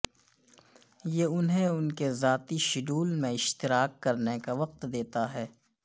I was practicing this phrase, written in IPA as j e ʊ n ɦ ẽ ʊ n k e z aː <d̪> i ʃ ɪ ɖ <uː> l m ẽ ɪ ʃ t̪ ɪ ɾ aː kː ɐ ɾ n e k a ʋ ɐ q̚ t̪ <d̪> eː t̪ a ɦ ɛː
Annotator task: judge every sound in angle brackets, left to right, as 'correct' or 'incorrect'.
incorrect: t̪, correct, correct

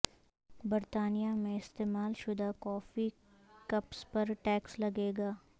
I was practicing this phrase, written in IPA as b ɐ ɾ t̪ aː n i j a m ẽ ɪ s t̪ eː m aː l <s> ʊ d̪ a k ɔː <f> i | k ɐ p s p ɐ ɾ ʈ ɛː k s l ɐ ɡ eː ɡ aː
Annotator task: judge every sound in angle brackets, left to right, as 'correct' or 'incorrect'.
incorrect: ʃ, correct

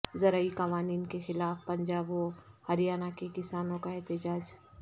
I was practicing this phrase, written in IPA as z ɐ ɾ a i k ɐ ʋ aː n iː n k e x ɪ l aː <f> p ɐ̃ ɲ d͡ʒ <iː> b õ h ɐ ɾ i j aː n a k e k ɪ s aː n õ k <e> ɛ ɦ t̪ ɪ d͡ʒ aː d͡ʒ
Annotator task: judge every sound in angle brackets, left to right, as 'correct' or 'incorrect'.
correct, incorrect: aː, incorrect: a

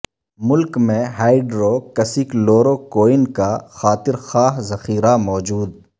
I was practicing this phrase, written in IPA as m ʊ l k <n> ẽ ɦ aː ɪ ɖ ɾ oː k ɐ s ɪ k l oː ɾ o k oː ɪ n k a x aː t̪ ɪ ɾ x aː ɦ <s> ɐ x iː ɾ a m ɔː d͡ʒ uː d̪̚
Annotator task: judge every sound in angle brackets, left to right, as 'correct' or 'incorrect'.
incorrect: m, incorrect: z

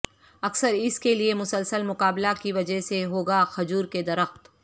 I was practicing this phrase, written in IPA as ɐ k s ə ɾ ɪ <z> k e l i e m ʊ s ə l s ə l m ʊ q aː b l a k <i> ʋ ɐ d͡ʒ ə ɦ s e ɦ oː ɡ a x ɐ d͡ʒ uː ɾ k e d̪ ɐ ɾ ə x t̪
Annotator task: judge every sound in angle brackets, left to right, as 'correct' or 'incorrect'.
incorrect: s, correct

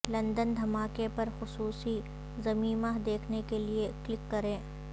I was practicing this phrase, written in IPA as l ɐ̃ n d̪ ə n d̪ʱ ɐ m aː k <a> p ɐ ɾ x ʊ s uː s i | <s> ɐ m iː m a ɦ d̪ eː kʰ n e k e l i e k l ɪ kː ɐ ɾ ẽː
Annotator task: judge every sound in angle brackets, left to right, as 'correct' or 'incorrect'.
incorrect: e, incorrect: z

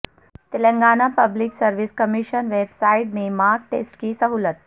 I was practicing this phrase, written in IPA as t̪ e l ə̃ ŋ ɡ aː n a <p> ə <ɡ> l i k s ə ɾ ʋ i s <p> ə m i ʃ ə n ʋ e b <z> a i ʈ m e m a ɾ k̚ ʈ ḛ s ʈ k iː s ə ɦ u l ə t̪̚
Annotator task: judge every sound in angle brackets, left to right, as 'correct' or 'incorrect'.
correct, incorrect: b, incorrect: k, incorrect: s

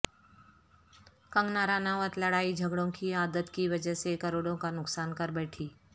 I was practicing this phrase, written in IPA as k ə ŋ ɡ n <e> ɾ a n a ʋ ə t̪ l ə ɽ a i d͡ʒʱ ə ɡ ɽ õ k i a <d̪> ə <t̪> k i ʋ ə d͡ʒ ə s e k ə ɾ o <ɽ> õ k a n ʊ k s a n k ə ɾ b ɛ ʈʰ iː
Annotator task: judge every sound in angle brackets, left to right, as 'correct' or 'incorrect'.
incorrect: a, correct, correct, correct

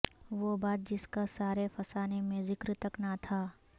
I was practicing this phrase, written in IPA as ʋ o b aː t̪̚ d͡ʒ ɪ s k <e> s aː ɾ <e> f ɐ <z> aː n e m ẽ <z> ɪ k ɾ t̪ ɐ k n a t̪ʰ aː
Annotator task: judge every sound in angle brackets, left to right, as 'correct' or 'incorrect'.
incorrect: a, correct, incorrect: s, correct

